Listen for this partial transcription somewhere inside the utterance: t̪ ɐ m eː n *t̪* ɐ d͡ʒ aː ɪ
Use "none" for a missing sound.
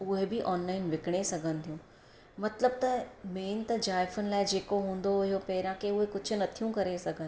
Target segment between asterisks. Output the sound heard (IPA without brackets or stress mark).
t̪